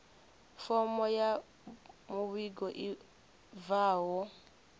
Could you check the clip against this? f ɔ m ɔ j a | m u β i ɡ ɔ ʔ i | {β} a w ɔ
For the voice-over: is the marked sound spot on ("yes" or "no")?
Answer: no